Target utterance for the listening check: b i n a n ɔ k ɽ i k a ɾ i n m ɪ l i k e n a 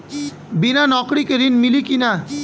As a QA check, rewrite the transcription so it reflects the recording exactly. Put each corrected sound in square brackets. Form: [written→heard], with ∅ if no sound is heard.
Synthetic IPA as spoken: b i n a n ɔ k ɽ i k [a→e] ɾ i n m [ɪ→i] l i k [e→i] n a